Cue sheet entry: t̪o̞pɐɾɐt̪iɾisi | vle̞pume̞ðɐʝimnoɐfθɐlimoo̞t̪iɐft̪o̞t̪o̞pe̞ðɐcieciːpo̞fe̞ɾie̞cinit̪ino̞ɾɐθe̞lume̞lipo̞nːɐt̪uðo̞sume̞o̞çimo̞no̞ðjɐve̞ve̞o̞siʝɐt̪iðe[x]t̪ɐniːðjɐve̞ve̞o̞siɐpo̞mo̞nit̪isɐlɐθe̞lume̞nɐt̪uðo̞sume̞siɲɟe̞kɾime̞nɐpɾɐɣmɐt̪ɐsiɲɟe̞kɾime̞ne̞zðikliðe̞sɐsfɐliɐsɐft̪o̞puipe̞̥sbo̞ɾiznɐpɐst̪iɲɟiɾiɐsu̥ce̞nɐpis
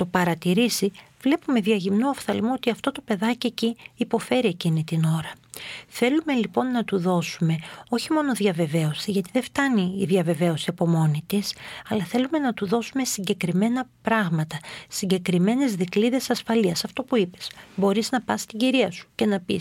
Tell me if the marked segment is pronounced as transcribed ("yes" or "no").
no